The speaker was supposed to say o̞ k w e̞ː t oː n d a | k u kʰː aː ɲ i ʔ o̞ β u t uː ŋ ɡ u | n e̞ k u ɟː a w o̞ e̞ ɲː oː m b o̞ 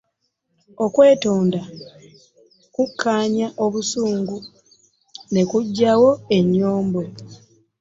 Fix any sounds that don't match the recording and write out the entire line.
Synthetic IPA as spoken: o̞ k w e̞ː t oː n d a | k u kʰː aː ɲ a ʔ o̞ β u s uː ŋ ɡ u | n e̞ k u ɟː a w o̞ e̞ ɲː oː m b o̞